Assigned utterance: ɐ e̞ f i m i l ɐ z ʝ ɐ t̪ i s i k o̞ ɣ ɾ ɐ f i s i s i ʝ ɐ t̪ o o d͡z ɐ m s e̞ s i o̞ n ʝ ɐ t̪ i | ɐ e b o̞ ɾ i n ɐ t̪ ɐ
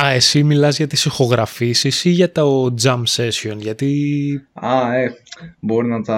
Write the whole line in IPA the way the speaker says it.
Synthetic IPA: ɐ e̞ s i m i l ɐ z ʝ ɐ t̪ i s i x o̞ ɣ ɾ ɐ f i s i s i ʝ ɐ t̪ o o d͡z ɐ m s e̞ s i o̞ n ʝ ɐ t̪ i | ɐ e b o̞ ɾ i n ɐ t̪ ɐ